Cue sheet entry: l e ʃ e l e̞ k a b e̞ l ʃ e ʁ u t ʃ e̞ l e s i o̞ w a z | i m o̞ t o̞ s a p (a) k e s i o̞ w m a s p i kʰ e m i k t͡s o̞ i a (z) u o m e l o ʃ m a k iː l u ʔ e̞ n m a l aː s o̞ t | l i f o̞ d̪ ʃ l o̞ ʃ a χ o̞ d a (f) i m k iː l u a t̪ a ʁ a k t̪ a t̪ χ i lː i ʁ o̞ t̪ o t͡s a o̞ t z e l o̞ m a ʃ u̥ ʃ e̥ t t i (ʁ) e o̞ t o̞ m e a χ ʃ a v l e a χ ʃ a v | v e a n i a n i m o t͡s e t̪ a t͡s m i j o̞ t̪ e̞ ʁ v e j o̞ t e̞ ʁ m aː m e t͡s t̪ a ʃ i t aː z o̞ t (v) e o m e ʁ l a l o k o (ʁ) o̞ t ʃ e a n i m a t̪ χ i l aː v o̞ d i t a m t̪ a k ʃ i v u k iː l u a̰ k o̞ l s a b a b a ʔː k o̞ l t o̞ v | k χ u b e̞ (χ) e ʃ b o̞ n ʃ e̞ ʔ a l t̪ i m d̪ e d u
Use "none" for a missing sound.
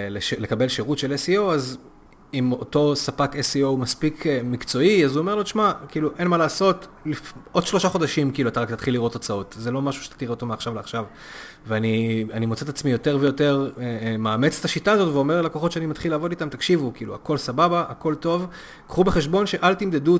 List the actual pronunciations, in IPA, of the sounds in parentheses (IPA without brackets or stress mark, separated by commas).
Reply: a, z, ʃ, ʁ, v, χ, χ